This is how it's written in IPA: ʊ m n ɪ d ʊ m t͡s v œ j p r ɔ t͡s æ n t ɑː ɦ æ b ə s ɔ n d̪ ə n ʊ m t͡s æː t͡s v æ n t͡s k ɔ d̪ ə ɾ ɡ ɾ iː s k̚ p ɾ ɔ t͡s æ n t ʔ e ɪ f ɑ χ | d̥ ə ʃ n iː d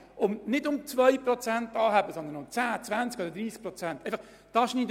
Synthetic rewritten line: ʊ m n ɪ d ʊ m t͡s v œ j p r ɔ t͡s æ n t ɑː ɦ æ b ə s ɔ n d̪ ə n ʊ m t͡s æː t͡s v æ n t͡s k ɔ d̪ ə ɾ d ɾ iː s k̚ p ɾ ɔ t͡s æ n t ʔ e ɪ f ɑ χ | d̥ ɑ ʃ n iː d